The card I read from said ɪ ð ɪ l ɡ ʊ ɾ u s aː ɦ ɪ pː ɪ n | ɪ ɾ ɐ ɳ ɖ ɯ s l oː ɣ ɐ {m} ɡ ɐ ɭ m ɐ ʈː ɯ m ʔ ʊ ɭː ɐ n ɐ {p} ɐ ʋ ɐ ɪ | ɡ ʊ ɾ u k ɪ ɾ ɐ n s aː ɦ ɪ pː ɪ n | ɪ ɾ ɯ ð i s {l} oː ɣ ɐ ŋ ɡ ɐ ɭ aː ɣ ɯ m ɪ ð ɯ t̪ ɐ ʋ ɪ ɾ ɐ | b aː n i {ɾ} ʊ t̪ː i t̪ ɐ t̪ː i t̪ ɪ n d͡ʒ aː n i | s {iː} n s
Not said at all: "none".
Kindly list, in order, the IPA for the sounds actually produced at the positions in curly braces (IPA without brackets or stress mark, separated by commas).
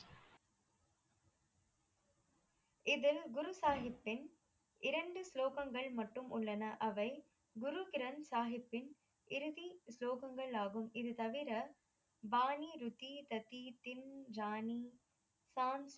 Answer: ŋ, ʔ, l, ɾ, aː